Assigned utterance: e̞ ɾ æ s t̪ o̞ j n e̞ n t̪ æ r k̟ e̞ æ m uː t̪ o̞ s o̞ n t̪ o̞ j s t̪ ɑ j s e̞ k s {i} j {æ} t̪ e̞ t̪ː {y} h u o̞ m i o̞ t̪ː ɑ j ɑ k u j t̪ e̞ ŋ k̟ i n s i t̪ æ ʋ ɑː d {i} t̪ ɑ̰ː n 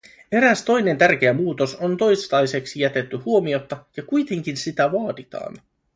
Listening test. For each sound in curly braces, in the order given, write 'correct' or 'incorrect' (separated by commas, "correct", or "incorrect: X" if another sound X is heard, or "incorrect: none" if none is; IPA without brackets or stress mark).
correct, correct, correct, correct